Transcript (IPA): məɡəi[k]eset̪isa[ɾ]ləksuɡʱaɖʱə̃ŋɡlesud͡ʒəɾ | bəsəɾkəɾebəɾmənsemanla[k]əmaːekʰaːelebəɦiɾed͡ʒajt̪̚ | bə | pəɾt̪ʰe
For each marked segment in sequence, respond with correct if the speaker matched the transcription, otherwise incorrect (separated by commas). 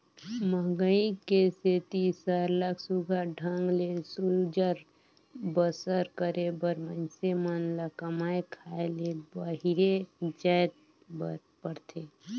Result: correct, correct, correct